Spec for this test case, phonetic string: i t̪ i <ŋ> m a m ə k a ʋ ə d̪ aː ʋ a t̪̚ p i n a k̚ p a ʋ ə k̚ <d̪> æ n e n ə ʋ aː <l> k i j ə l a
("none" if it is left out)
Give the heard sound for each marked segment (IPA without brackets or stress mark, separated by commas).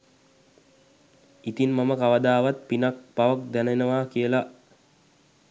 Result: n, d̪, none